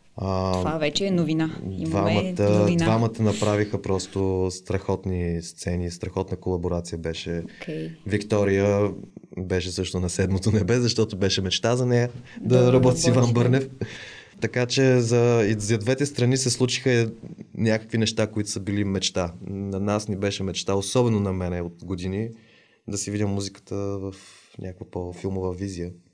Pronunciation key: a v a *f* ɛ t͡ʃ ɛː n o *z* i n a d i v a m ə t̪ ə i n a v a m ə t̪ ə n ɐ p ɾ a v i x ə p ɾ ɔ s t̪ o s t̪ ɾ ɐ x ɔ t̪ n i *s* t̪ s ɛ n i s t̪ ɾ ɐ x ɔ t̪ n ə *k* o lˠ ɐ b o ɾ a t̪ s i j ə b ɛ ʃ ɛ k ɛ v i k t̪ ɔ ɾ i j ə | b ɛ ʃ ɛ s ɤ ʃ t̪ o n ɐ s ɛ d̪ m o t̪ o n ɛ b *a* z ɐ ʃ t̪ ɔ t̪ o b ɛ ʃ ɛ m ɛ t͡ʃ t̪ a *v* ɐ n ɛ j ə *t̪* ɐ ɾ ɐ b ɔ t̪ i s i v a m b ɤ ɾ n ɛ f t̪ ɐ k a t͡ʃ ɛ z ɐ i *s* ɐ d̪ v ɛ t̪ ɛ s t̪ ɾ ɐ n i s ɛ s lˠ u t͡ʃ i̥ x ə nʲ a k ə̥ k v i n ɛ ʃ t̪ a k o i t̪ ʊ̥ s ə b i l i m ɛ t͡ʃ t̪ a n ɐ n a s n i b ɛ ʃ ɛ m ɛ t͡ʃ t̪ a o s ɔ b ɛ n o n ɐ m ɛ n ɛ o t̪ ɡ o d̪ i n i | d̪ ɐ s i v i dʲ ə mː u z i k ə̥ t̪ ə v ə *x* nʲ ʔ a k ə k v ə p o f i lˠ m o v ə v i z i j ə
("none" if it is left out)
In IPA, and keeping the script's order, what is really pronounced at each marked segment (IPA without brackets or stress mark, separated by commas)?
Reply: v, v, s, k, ɛ, z, d̪, z, f